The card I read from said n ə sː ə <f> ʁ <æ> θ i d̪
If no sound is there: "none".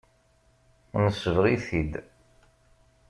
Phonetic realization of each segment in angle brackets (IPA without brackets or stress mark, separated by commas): v, i